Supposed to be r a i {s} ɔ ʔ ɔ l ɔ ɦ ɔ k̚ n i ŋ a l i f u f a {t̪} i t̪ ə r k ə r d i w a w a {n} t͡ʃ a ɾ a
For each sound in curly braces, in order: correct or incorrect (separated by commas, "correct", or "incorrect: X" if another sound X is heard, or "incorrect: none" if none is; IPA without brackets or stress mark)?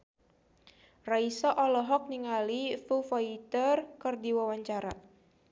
correct, incorrect: none, incorrect: ɲ